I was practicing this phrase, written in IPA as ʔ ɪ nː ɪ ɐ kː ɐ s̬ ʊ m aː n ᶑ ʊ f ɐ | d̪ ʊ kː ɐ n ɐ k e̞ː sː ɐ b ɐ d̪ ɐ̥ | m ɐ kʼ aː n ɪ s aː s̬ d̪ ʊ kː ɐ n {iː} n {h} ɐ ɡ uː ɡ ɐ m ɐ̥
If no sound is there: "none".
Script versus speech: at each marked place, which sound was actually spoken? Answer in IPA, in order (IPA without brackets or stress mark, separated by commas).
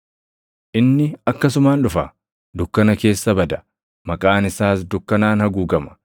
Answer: aː, h